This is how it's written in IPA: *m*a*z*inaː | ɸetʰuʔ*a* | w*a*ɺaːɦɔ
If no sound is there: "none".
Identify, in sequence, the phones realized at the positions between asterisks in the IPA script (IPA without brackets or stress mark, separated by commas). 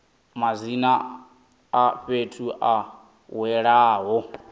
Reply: m, z, a, ɛ